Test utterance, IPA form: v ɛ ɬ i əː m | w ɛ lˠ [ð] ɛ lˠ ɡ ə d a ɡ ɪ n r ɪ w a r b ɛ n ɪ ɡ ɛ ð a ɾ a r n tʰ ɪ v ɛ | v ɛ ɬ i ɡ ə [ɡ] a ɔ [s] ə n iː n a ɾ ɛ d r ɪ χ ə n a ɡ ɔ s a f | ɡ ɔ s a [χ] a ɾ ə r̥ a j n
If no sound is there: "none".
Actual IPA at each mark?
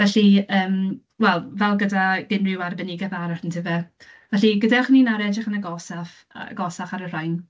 v, d, χ, χ

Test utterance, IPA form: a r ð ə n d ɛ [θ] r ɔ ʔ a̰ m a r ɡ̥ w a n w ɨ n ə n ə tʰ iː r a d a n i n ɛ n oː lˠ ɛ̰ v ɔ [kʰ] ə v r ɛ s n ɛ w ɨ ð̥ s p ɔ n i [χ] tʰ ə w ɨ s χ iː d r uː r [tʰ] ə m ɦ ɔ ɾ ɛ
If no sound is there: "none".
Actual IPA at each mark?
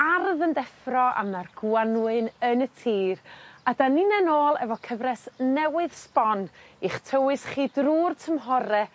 f, kʰ, χ, tʰ

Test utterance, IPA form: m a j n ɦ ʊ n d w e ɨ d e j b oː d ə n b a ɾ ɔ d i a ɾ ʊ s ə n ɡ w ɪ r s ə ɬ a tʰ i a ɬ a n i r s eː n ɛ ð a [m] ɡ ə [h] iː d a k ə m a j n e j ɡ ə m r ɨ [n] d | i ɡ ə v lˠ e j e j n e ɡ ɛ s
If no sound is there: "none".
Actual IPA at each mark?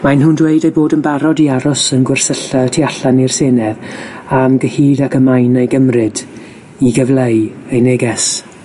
m, h, none

